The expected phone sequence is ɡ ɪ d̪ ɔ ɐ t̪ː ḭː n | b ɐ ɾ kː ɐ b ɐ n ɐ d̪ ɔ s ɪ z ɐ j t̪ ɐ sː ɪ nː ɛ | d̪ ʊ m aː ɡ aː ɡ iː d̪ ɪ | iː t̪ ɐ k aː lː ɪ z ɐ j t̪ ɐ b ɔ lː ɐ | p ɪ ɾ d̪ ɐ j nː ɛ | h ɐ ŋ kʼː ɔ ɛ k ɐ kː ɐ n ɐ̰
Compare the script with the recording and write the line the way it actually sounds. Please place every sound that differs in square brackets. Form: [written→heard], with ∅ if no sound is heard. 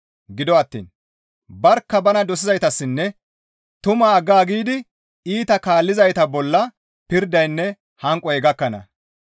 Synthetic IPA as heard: ɡ ɪ d̪ ɔ ɐ t̪ː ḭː n | b ɐ ɾ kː ɐ b ɐ n ɐ d̪ ɔ s ɪ z ɐ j t̪ ɐ sː ɪ nː ɛ | [d̪→t̪] ʊ m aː ɡ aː ɡ iː d̪ ɪ | iː t̪ ɐ k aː lː ɪ z ɐ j t̪ ɐ b ɔ lː ɐ | p ɪ ɾ d̪ ɐ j nː ɛ | h ɐ ŋ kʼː ɔ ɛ [k→ɡ] ɐ kː ɐ n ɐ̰